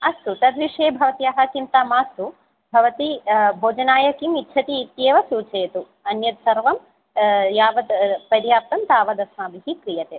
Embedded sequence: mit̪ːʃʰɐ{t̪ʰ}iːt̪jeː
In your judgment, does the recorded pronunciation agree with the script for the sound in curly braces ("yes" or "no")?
no